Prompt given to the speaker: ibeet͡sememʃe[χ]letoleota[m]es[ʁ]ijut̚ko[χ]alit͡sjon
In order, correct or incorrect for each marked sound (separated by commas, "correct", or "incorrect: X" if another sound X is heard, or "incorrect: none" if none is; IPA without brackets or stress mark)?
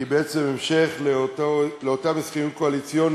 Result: correct, correct, incorrect: χ, incorrect: none